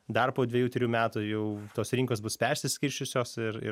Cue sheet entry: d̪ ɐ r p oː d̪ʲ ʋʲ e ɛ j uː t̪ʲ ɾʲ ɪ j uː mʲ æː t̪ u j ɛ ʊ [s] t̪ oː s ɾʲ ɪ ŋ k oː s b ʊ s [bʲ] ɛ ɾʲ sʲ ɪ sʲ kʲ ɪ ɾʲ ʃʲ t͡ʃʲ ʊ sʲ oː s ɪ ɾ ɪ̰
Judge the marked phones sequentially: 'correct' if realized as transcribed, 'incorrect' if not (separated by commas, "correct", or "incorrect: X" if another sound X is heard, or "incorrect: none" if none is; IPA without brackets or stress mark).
incorrect: none, incorrect: pʲ